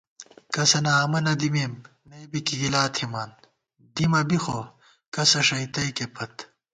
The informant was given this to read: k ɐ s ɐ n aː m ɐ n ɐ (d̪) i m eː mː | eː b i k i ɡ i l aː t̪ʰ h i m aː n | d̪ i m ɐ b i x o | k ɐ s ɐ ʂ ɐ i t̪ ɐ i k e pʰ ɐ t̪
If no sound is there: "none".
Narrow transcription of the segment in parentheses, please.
d̪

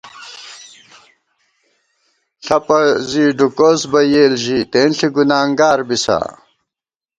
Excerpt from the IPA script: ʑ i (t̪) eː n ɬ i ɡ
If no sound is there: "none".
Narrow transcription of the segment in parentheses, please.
t̪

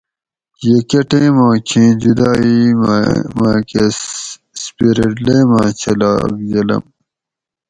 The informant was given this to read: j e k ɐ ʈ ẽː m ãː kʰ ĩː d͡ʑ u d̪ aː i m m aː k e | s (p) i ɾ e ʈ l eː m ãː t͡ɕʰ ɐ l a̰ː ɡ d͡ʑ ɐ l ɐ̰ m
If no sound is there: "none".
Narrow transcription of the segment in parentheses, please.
p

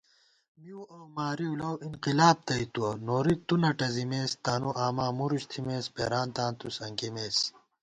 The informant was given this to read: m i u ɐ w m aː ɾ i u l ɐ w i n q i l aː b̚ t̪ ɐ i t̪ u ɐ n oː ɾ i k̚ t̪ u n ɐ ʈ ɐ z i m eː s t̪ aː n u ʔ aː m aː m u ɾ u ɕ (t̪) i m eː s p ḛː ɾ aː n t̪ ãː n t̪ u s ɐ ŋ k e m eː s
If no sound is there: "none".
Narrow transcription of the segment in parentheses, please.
t̪ʰ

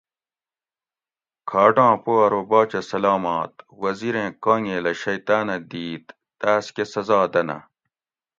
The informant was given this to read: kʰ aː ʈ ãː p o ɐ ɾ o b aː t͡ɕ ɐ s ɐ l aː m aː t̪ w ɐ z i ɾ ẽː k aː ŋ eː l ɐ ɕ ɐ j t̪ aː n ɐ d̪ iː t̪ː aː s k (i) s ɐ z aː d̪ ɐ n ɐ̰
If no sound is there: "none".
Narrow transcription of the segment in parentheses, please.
e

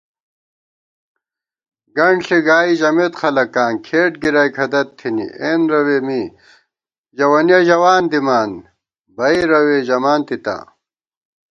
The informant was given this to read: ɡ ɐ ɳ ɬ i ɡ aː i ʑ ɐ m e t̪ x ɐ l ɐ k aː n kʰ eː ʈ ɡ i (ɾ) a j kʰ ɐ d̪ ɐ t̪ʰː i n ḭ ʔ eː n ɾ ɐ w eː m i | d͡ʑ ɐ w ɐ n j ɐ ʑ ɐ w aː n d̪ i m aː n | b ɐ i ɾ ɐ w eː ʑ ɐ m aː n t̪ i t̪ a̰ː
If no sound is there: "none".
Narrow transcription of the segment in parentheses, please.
ɾ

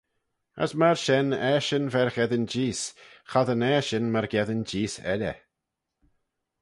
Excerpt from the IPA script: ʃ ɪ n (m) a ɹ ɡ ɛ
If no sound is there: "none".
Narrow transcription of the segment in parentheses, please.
m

